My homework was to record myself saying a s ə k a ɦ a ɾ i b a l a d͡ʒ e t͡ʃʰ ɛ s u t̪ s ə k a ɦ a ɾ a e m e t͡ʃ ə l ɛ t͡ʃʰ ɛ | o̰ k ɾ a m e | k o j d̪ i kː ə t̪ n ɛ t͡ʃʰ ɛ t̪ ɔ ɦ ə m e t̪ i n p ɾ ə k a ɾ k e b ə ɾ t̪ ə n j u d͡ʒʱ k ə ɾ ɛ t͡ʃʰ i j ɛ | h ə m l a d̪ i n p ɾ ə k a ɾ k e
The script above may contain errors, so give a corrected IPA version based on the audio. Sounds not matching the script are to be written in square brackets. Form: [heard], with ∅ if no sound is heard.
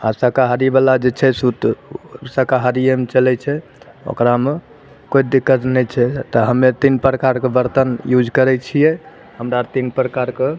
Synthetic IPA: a s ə k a ɦ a ɾ i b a l a d͡ʒ e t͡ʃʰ ɛ s u t̪ s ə k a ɦ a ɾ [i] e m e t͡ʃ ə l ɛ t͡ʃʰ ɛ | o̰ k ɾ a m e | k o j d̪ i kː ə t̪ n ɛ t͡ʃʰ ɛ t̪ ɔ ɦ ə m e t̪ i n p ɾ ə k a ɾ k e b ə ɾ t̪ ə n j u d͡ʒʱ k ə ɾ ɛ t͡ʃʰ i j ɛ | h ə m [ɾ] a [t̪] i n p ɾ ə k a ɾ k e